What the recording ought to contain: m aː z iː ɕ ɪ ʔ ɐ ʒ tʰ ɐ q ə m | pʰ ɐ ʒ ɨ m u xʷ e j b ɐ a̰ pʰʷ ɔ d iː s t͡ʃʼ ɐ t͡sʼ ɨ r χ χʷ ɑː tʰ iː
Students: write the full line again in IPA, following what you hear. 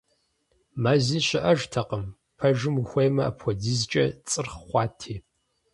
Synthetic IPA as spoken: m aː z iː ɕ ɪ ʔ ɐ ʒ tʰ ɐ q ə m | pʰ ɐ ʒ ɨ m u xʷ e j m ɐ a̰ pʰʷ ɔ d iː z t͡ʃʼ ɐ t͡sʼ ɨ r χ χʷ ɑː tʰ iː